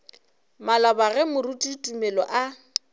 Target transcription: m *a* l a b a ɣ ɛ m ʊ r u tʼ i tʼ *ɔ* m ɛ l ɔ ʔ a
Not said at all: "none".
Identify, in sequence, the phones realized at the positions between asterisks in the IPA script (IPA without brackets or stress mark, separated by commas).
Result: a, u